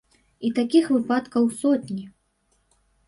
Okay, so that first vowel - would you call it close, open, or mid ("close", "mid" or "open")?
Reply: close